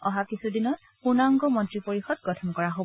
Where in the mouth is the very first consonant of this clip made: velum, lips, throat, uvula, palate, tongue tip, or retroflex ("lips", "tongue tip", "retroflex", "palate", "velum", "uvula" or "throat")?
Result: throat